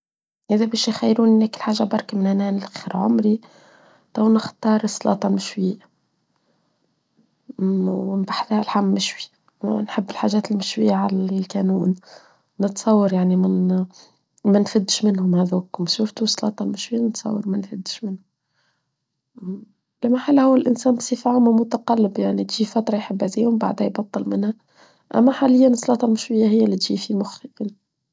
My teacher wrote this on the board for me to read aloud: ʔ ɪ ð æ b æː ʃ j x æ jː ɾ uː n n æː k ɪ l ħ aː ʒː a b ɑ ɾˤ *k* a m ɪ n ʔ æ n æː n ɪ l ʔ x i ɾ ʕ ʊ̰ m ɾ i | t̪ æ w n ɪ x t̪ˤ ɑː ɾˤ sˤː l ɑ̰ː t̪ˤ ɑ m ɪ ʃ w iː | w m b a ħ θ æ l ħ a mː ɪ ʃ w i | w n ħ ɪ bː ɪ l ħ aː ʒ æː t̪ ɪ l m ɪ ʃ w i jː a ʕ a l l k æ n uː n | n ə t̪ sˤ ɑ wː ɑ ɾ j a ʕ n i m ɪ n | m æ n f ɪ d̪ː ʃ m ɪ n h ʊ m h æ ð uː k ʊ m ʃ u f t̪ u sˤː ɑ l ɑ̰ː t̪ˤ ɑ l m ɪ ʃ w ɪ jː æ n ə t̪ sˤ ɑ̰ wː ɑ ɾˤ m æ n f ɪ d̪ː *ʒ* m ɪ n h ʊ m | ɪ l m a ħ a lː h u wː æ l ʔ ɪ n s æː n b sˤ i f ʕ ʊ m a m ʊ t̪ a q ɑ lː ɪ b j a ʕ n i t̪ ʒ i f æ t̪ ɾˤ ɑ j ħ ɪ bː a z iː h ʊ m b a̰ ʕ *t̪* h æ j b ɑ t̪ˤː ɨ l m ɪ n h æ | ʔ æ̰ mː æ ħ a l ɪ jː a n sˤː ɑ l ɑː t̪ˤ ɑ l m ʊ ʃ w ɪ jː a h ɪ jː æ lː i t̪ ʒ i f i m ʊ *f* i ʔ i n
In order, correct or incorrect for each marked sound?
correct, incorrect, incorrect, incorrect

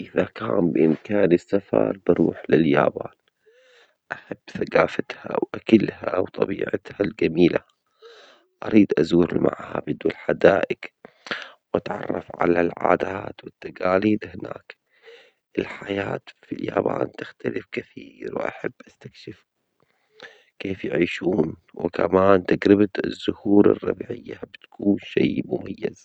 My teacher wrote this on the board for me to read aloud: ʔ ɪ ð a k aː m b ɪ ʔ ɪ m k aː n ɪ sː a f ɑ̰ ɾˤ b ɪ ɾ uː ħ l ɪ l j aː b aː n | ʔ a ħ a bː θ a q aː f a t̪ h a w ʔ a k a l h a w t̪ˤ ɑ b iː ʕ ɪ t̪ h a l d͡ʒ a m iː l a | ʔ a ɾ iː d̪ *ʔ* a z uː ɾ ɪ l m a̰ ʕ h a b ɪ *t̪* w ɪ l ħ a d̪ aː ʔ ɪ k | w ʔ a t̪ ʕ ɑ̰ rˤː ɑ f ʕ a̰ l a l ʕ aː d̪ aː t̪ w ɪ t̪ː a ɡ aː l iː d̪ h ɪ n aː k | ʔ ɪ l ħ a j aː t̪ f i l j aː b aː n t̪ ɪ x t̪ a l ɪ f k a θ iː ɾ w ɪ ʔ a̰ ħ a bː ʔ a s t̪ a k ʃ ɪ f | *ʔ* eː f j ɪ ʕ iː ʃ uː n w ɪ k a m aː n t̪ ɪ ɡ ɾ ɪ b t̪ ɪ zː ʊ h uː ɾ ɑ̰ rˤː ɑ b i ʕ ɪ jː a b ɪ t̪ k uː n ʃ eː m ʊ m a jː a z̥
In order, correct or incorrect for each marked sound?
correct, incorrect, incorrect

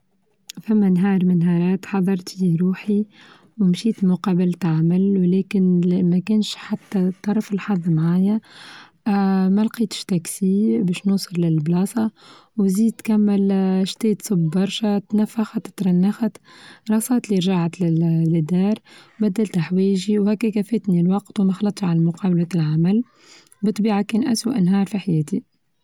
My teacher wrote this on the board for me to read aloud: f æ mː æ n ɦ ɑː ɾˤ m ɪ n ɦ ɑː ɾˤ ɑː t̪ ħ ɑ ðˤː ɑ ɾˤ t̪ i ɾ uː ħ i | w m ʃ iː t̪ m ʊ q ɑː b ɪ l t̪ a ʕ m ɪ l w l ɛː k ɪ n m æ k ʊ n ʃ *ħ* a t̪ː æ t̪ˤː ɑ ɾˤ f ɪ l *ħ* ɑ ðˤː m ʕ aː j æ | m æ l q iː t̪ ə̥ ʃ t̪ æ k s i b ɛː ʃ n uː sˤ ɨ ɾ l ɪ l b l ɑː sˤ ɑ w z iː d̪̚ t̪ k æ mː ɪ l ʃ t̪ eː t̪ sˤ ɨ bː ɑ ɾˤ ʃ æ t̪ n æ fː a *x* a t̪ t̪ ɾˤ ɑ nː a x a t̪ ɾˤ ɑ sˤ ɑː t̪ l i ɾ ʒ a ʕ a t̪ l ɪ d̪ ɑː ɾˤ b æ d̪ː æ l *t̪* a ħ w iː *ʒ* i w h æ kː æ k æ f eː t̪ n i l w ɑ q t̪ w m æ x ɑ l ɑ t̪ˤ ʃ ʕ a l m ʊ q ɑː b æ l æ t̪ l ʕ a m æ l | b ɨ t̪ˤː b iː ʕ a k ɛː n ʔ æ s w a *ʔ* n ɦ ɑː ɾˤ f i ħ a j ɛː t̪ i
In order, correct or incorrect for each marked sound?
correct, correct, correct, correct, correct, correct

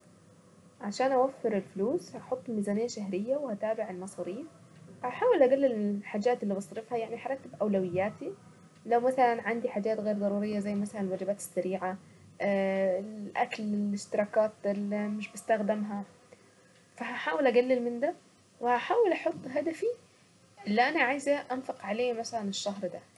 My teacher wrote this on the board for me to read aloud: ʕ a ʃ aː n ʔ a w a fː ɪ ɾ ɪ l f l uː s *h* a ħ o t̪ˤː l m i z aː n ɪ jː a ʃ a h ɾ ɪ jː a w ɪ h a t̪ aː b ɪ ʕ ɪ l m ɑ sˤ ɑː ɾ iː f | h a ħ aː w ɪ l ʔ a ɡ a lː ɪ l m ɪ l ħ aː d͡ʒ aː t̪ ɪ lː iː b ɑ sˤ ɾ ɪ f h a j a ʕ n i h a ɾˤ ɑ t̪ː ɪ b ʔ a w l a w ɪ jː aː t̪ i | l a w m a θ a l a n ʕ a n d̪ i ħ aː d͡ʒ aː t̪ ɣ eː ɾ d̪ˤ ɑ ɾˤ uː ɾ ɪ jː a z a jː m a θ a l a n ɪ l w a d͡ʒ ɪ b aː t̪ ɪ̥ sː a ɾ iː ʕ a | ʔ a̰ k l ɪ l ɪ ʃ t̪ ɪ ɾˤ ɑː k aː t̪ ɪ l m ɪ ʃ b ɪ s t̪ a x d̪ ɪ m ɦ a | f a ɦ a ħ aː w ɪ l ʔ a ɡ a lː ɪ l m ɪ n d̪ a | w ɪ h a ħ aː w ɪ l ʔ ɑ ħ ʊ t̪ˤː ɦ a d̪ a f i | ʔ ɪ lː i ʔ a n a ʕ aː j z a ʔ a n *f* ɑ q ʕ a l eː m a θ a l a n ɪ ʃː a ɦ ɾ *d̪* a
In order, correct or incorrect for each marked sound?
correct, correct, correct

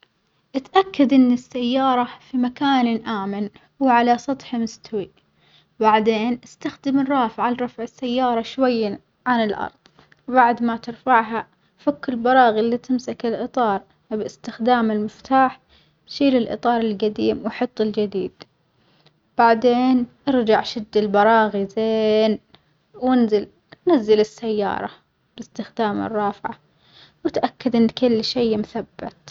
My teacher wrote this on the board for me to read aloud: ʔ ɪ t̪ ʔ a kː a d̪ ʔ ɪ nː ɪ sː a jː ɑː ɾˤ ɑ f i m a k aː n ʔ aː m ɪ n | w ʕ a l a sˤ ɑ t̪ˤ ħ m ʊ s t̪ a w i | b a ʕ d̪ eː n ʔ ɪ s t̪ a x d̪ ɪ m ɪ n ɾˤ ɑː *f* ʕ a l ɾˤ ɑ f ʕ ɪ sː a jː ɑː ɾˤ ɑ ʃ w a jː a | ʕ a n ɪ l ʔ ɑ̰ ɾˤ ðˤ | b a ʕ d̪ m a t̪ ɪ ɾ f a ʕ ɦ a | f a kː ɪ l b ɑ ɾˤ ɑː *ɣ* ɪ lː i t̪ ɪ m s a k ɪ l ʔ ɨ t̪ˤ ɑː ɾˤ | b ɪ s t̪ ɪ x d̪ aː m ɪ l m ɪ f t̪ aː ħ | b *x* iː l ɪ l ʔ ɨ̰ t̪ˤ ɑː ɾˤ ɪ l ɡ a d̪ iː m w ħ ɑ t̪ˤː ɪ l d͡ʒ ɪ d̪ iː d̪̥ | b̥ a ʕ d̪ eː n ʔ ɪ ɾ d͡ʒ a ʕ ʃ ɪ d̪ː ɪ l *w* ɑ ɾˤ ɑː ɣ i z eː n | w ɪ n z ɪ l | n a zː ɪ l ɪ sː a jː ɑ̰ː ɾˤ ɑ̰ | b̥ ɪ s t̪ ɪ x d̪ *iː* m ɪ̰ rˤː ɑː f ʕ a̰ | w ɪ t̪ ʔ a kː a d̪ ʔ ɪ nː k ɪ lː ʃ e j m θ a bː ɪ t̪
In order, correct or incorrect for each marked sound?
correct, correct, incorrect, incorrect, incorrect

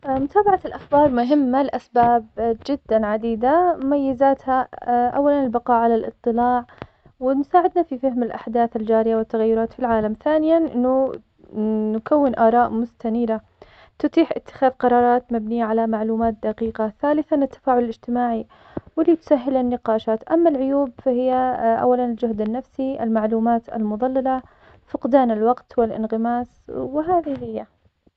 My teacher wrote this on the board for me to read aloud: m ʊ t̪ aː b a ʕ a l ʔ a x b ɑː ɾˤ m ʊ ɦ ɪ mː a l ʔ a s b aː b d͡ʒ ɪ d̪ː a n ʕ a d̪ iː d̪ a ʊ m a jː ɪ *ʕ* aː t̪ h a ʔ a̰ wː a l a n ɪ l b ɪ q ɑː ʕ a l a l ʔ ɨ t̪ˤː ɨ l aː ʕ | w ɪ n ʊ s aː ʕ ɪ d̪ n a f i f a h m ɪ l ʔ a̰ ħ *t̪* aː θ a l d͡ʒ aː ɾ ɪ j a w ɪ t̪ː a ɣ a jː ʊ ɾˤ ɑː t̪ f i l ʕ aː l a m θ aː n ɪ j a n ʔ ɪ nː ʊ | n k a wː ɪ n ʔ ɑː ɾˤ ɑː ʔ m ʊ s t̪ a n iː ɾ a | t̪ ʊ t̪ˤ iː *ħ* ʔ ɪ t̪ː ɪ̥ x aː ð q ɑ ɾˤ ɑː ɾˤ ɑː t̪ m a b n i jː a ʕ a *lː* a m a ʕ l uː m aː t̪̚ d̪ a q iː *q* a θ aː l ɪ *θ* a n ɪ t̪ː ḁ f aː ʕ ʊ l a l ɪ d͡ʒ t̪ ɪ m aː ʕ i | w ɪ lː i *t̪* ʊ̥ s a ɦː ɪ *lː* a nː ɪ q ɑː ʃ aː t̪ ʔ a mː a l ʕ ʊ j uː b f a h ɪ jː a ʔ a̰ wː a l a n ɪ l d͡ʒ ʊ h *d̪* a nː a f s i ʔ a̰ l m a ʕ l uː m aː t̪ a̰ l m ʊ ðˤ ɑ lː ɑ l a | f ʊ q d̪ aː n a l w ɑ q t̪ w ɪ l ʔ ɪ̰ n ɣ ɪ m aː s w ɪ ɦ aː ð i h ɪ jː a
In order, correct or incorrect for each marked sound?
incorrect, incorrect, correct, incorrect, correct, correct, correct, incorrect, correct

